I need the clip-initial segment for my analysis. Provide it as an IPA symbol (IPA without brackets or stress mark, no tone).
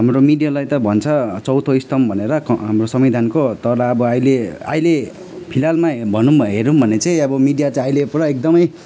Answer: ɦ